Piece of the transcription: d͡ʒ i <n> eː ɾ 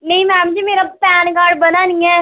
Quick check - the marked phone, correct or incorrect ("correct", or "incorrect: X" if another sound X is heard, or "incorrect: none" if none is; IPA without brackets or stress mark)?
incorrect: m